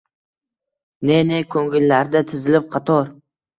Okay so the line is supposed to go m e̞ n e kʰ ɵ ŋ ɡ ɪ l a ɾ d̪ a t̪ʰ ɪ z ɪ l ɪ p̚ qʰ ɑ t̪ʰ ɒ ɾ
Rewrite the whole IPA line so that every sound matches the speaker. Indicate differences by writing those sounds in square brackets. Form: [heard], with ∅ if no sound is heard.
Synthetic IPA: [n] e̞ n e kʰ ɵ ŋ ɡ ɪ [lː] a ɾ d̪ a t̪ʰ ɪ z ɪ l ɪ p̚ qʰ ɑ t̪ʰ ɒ ɾ